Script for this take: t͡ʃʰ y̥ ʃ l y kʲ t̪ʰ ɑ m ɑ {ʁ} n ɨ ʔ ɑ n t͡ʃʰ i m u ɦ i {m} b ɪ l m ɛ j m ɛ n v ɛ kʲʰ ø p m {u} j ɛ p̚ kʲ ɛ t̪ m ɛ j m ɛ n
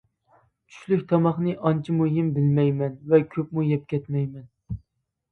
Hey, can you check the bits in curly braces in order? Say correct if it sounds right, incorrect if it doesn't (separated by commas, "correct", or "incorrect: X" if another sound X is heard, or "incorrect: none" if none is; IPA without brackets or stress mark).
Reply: incorrect: χ, correct, correct